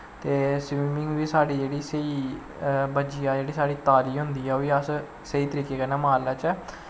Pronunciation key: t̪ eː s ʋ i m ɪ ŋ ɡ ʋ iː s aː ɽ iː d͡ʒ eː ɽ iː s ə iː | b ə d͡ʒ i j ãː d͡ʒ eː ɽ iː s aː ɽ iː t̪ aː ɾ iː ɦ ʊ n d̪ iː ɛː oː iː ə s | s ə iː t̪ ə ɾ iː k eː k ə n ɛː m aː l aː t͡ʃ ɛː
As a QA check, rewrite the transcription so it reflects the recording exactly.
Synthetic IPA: t̪ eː s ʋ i m ɪ ŋ ɡ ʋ iː s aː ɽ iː d͡ʒ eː ɽ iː s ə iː | b ə d͡ʒ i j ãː d͡ʒ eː ɽ iː s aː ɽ iː t̪ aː ɾ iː ɦ ʊ n d̪ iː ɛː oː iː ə s | s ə iː t̪ ə ɾ iː k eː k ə n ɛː m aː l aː t͡ʃ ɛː